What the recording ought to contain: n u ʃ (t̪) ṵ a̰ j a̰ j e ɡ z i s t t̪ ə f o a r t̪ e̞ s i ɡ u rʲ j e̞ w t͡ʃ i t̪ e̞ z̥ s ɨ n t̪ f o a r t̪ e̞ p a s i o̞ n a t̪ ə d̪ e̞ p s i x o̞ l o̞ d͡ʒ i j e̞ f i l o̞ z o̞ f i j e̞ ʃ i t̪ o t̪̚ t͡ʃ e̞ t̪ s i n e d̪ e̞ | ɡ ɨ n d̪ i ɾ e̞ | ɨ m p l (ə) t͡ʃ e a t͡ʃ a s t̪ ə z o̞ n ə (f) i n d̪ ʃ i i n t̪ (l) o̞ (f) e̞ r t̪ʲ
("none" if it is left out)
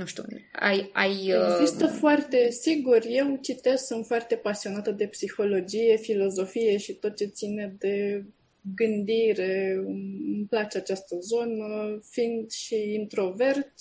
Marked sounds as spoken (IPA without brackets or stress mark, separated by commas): t̪, a, f, ɾ, v